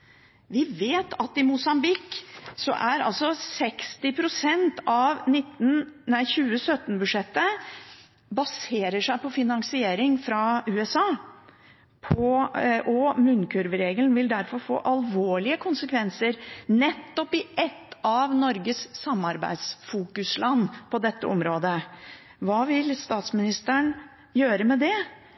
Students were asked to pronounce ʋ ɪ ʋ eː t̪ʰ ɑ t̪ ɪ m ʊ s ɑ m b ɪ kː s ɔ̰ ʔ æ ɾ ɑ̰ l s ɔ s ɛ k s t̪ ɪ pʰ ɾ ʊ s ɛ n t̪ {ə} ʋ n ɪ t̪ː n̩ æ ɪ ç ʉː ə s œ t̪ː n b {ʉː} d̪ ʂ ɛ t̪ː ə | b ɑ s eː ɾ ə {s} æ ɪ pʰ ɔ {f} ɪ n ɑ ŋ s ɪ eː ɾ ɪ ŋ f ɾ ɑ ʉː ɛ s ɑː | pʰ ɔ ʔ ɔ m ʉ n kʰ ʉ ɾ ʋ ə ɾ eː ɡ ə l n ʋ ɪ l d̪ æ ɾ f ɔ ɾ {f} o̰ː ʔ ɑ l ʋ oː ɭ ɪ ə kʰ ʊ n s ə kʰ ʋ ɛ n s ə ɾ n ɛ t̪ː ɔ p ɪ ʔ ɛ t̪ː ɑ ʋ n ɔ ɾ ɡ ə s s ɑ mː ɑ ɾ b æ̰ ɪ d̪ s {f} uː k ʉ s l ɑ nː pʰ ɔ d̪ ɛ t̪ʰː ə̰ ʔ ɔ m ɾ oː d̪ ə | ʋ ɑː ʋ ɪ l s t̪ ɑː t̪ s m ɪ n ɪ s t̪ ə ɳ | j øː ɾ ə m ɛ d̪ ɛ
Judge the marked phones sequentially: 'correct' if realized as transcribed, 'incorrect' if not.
incorrect: ɑ, incorrect: ʉ, incorrect: ʂ, correct, correct, correct

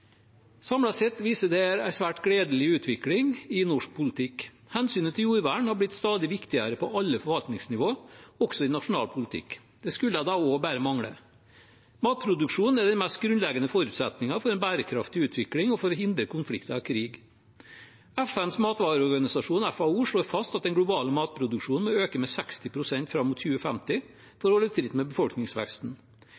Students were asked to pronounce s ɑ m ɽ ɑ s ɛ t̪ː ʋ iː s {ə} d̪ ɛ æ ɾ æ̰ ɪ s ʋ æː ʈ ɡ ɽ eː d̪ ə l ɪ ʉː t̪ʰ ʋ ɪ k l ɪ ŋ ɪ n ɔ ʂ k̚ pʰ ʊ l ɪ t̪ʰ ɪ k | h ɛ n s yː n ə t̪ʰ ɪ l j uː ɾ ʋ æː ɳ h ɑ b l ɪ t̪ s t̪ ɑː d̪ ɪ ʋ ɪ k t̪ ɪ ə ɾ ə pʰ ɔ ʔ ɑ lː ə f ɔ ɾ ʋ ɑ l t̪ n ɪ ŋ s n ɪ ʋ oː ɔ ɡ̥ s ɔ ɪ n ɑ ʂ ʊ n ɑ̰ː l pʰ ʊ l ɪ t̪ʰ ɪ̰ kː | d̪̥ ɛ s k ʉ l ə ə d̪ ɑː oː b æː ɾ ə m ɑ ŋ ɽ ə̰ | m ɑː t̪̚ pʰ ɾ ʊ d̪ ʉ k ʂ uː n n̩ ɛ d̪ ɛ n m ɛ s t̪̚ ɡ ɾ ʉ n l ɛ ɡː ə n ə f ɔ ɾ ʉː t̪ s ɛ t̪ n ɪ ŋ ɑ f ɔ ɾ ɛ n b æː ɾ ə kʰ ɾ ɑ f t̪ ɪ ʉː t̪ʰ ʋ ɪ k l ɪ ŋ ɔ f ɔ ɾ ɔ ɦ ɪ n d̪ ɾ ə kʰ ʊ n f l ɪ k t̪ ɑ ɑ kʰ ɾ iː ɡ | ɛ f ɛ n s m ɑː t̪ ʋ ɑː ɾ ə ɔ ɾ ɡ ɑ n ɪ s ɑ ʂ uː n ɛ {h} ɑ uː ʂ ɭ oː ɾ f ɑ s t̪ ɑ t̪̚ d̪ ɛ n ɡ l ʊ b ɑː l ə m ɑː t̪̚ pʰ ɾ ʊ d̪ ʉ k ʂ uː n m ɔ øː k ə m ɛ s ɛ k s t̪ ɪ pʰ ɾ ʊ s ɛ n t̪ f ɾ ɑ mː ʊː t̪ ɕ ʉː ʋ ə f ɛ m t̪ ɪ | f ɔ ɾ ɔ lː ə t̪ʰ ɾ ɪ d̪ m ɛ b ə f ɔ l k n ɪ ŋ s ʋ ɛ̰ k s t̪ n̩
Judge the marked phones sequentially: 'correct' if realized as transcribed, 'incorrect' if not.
correct, incorrect: f

